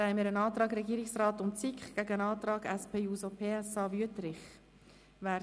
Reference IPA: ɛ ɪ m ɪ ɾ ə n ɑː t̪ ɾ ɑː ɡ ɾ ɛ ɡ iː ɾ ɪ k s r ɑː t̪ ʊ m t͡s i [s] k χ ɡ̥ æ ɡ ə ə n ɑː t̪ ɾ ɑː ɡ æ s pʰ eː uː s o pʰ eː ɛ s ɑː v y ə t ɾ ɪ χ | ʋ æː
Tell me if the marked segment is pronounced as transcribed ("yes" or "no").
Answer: no